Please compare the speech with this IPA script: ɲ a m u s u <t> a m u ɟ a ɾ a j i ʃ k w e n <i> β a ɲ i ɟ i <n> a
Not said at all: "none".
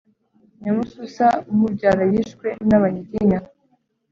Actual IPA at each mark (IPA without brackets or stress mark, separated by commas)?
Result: s, a, ɲ